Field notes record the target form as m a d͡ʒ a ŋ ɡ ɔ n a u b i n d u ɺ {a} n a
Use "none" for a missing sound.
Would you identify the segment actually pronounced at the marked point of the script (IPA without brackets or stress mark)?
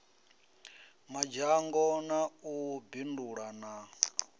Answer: a